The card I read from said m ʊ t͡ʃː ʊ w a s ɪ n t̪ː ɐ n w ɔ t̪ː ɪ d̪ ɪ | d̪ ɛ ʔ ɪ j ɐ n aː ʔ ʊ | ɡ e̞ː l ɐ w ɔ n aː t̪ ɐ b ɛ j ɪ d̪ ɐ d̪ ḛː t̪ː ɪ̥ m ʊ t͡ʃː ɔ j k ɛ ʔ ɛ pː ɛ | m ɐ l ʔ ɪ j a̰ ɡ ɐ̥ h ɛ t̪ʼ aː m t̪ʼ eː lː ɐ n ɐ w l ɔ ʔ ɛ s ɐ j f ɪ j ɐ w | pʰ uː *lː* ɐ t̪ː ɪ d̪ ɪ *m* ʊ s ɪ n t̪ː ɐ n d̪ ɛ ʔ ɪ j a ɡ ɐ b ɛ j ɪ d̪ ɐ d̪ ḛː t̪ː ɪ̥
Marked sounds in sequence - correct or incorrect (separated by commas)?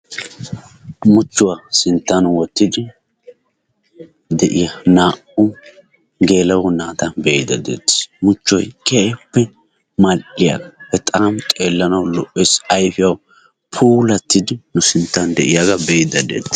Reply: incorrect, incorrect